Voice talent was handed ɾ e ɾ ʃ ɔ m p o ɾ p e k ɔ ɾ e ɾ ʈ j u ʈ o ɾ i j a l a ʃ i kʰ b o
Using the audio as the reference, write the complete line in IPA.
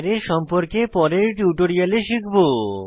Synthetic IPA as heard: ɾ e ɾ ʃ ɔ m p o ɾ k e p ɔ ɾ e ɾ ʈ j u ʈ o ɾ i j a l e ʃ i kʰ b o